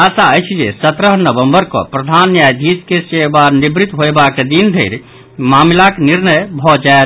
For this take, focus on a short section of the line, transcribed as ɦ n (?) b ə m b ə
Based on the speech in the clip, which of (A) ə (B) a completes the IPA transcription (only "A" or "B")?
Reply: A